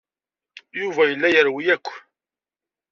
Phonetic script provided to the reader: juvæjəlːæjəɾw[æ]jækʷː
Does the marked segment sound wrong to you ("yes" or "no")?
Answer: yes